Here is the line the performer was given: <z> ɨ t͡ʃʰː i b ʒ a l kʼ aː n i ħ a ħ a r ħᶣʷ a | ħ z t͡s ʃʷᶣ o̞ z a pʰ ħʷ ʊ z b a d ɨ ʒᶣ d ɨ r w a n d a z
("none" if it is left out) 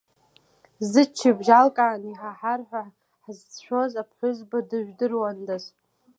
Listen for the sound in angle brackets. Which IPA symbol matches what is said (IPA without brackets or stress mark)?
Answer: z